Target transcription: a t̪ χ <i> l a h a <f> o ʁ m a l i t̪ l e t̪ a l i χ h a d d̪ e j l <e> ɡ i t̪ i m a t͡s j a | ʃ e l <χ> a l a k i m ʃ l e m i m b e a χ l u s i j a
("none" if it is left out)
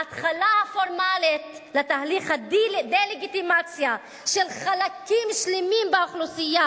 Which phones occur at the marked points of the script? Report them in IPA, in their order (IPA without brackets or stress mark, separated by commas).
a, f, e, χ